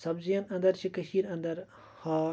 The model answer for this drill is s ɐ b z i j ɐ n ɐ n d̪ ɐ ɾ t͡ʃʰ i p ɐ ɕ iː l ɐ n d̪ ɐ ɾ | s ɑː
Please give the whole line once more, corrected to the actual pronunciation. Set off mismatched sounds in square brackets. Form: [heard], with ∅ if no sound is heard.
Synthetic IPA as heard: s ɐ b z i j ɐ n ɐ n d̪ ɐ ɾ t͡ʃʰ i [k] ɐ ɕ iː [ɾ] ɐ n d̪ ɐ ɾ | [h] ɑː